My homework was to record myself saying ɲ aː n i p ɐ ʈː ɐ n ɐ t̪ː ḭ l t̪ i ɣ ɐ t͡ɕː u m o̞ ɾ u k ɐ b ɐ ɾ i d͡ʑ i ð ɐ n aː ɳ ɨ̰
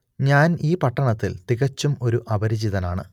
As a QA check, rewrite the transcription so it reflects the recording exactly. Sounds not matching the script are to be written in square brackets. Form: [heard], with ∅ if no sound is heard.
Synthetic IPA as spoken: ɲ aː n [iː] p ɐ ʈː ɐ [ɳ] ɐ t̪ː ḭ l t̪ i ɣ ɐ t͡ɕː u m o̞ ɾ u [ʔ] ɐ b ɐ ɾ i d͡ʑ i ð ɐ n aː ɳ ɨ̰